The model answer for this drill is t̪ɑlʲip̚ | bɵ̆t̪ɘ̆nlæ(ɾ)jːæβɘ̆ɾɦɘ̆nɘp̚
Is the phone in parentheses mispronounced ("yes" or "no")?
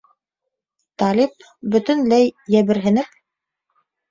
yes